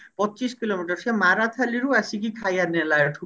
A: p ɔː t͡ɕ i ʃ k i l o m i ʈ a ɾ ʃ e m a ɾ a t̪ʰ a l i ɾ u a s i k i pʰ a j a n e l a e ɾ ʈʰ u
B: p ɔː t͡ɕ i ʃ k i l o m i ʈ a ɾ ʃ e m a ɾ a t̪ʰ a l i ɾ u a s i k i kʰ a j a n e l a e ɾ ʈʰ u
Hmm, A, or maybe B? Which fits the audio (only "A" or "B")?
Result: B